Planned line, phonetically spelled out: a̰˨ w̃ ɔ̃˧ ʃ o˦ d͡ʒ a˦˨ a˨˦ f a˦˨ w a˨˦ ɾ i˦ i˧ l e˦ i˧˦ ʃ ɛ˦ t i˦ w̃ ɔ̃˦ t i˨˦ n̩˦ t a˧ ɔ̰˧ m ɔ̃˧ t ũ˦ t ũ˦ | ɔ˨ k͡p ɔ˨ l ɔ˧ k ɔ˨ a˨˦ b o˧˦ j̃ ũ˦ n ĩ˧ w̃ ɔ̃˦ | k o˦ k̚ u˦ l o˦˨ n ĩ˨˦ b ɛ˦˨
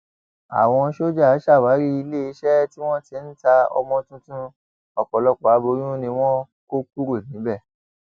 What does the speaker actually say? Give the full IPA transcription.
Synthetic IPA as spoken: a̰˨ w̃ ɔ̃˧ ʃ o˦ d͡ʒ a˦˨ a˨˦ ʃ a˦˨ w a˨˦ ɾ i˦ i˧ l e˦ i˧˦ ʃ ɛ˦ t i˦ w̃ ɔ̃˦ t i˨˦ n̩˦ t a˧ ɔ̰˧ m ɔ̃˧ t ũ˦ t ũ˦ | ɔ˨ k͡p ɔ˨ l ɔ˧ k͡p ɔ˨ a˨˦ b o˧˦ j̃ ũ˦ n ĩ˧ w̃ ɔ̃˦ | k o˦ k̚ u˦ ɾ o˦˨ n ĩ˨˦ b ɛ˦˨